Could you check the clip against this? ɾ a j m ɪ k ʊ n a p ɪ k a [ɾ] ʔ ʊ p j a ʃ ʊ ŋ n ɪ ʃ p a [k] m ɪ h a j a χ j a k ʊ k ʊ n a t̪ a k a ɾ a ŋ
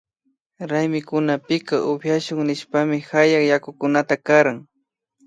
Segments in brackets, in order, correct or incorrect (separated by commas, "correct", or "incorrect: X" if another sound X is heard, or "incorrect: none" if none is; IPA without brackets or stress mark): incorrect: none, incorrect: none